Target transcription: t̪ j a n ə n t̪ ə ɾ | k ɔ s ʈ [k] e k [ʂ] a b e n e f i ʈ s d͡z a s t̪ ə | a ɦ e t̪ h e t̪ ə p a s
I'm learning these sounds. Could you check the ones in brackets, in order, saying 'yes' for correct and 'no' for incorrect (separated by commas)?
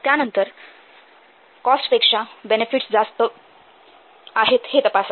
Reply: no, yes